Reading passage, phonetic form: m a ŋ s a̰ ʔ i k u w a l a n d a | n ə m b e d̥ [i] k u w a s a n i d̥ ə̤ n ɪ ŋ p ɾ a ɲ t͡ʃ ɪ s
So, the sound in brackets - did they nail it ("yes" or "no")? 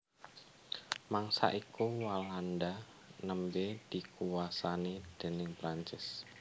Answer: yes